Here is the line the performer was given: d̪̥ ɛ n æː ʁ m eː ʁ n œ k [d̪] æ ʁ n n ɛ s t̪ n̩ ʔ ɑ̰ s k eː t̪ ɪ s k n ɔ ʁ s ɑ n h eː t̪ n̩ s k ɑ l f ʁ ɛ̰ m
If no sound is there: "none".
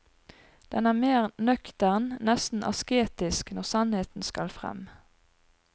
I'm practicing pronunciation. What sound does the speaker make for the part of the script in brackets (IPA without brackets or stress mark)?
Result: t̪